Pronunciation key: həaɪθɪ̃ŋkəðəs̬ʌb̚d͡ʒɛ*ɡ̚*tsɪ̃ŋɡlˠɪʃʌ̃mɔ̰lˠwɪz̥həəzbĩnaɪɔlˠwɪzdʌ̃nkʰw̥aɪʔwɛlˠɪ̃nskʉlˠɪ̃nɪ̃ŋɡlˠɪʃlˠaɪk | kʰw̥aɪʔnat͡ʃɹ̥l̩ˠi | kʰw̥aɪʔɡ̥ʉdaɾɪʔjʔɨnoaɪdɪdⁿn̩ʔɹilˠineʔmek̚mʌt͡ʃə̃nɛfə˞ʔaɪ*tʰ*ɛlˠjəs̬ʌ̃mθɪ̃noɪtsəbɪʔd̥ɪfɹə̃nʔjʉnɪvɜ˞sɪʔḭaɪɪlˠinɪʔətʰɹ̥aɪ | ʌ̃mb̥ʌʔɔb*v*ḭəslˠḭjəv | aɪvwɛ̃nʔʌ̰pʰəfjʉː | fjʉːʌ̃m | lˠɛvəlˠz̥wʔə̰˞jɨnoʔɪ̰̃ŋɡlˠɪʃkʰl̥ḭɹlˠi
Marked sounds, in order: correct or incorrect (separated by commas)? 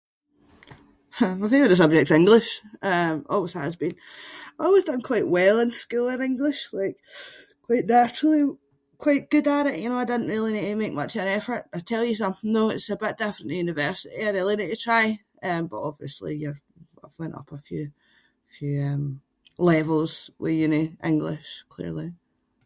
incorrect, correct, correct